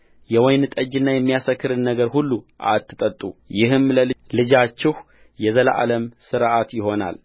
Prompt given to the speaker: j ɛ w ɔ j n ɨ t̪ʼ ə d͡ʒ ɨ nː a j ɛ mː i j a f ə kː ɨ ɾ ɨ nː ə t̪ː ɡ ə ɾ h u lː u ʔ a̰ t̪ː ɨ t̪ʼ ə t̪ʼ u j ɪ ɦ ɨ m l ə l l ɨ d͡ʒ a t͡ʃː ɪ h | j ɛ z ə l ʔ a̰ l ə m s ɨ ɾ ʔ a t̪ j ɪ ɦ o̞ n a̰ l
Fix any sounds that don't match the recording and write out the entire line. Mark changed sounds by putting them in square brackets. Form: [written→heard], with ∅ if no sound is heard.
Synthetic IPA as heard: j ɛ w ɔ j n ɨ t̪ʼ ə d͡ʒ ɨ nː a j ɛ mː i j a [f→s] ə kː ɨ ɾ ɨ nː ə [t̪ː→∅] ɡ ə ɾ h u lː u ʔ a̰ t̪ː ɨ t̪ʼ ə t̪ʼ u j ɪ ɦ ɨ m l ə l l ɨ d͡ʒ a t͡ʃː ɪ h | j ɛ z ə l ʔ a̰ l ə m s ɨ ɾ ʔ a t̪ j ɪ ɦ o̞ n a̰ l